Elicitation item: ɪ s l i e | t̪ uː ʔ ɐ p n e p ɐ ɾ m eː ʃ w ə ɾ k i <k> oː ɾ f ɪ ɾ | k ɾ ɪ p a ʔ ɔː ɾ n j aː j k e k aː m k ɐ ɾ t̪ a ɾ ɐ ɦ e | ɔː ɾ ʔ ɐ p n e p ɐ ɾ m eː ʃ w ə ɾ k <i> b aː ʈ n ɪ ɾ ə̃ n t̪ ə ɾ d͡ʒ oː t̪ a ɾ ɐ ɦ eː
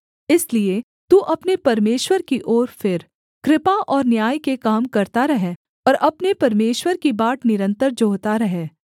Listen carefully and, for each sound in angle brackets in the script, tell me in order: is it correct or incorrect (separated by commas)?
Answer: incorrect, correct